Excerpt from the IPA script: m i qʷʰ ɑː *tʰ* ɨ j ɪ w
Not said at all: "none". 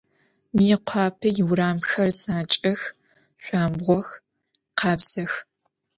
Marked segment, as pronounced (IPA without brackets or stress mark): pʰ